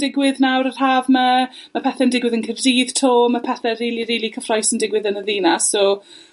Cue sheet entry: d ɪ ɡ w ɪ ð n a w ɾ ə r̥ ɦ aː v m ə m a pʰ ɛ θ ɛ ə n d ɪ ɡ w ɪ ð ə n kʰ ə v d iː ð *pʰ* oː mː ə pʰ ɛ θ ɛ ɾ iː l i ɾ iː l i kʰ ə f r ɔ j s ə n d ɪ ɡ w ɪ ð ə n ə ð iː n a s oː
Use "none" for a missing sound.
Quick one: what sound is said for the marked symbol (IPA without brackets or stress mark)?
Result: tʰ